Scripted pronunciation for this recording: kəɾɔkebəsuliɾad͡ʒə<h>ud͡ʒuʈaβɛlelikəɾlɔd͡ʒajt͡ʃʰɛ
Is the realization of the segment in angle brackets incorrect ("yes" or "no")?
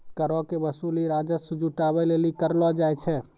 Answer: yes